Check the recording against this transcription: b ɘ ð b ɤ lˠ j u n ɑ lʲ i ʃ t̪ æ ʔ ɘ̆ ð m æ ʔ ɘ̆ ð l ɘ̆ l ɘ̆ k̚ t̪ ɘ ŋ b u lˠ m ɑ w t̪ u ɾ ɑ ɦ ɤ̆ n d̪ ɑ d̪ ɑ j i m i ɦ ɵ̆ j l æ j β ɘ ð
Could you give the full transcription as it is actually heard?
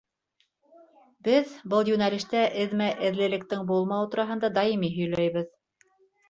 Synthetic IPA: b ɘ ð b ɤ lˠ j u n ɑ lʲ i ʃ t̪ æ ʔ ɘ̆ ð m æ ʔ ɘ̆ ð l ɘ̆ l ɘ̆ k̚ t̪ ɘ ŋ b u lˠ m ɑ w t̪ u ɾ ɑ ɦ ɤ̆ n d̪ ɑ d̪ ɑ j i m i ɦ ɵ̆ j l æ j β ɘ ð